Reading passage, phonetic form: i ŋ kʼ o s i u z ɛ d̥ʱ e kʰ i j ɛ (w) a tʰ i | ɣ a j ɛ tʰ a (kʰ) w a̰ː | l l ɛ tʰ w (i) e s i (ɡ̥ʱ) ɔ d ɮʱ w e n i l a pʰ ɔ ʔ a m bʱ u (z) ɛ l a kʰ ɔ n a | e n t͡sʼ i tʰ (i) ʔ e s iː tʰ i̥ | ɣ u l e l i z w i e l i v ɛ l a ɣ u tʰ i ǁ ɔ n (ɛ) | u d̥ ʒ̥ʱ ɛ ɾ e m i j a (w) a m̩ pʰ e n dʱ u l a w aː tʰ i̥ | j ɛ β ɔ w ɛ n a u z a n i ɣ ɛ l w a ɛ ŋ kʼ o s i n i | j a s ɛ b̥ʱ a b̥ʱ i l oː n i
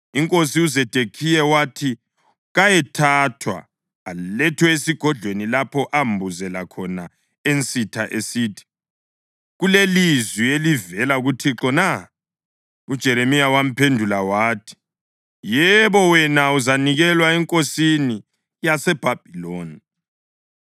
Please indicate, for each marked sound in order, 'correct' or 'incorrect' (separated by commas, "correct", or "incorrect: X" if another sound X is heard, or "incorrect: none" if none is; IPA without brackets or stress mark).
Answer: correct, incorrect: tʰ, incorrect: ɛ, correct, correct, incorrect: a, incorrect: a, correct